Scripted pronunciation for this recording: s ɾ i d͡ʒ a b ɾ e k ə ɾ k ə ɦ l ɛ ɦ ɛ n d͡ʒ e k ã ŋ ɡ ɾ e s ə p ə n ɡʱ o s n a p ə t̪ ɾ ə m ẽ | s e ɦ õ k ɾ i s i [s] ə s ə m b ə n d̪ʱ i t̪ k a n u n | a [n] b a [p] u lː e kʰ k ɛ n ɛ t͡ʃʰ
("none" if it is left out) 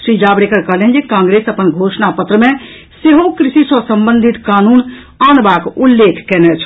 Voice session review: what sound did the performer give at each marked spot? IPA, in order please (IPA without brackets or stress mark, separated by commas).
s, n, k